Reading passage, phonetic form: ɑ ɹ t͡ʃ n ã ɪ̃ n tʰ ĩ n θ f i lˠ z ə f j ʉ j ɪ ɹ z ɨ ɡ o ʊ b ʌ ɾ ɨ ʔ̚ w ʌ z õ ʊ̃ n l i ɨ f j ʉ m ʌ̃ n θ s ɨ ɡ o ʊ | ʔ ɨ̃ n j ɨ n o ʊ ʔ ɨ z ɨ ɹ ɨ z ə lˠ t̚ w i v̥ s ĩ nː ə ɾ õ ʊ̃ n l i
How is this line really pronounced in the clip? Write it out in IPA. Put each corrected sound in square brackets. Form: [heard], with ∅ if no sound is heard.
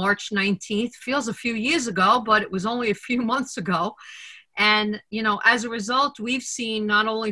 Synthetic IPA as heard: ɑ ɹ t͡ʃ n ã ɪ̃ n tʰ ĩ n θ f i lˠ z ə f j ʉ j ɪ ɹ z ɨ ɡ o ʊ b ʌ ɾ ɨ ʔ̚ w ʌ z õ ʊ̃ n l i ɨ f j ʉ m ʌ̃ n θ s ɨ ɡ o ʊ | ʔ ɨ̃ n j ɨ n o ʊ ʔ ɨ z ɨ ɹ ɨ z [ʌ] lˠ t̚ w i v̥ s ĩ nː ə ɾ õ ʊ̃ n l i